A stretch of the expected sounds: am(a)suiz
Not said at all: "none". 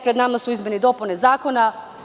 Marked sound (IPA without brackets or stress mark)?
a